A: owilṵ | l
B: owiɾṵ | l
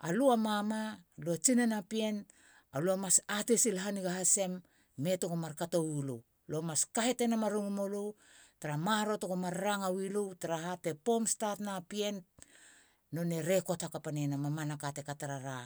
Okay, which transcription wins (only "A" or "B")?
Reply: A